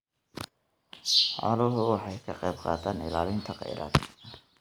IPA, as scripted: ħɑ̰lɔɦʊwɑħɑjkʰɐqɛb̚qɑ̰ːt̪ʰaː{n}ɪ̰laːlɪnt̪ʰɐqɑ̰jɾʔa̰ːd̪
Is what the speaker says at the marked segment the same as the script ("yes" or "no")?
yes